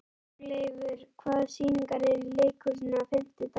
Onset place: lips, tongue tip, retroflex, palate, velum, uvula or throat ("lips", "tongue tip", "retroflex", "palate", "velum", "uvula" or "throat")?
tongue tip